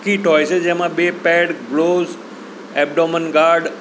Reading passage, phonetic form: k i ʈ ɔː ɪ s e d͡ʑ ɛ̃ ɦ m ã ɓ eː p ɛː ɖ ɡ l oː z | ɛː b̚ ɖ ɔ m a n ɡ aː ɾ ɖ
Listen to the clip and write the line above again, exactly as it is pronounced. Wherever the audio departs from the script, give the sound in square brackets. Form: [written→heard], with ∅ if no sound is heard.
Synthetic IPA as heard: k i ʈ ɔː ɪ s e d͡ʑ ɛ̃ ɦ m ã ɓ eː p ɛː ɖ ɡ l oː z | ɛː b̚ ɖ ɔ m [a→ə] n ɡ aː ɾ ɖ

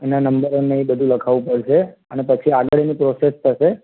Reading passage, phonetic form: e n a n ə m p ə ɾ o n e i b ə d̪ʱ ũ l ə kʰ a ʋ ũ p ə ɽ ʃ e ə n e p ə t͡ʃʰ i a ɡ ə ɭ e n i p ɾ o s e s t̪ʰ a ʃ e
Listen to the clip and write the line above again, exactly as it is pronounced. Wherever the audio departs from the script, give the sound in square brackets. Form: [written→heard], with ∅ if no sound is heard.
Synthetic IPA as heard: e n a n ə m [p→b] ə ɾ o n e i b ə d̪ʱ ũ l ə kʰ a ʋ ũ p ə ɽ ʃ e ə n e p ə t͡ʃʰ i a ɡ ə ɭ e n i p ɾ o s e s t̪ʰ [a→ə] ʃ e

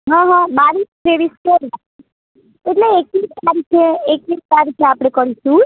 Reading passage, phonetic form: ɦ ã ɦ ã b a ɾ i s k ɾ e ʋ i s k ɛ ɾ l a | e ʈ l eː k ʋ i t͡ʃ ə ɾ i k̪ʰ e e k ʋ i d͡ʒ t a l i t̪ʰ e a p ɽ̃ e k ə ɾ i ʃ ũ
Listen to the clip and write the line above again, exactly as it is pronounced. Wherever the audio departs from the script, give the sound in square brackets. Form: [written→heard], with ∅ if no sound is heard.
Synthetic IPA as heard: ɦ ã ɦ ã b a ɾ i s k ɾ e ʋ i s k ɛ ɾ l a | e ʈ l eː k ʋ i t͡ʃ [ə→a] ɾ i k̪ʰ e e k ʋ i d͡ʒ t a [l→ɾ] i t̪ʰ e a p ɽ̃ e k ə ɾ i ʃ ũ

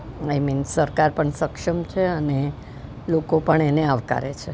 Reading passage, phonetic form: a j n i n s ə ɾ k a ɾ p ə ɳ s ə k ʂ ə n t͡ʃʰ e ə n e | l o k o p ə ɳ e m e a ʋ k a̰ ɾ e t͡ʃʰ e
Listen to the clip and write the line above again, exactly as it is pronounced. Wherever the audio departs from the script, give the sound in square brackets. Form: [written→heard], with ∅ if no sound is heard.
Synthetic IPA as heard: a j [n→m] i n s ə ɾ k a ɾ p ə ɳ s ə k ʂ ə [n→m] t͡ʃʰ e ə n e | l o k o p ə ɳ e [m→n] e a ʋ k a̰ ɾ e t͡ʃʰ e

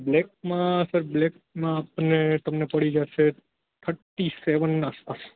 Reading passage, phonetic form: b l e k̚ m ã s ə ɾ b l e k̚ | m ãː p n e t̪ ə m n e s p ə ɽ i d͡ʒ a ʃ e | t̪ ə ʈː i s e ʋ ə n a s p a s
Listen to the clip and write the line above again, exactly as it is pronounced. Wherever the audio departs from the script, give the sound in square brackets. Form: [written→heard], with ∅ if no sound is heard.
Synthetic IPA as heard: b l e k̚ m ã s ə ɾ b l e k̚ | m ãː p n e t̪ ə m n e [s→∅] p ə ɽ i d͡ʒ a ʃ e | [t̪→t̪ʰ] ə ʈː i s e ʋ ə n a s p a s

